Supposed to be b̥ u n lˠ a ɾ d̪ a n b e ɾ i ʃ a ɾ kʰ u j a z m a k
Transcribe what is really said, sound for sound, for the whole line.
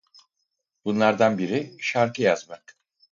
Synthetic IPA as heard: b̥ u n lˠ a ɾ d̪ a n b i ɾ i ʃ a ɾ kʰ ɯ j a z m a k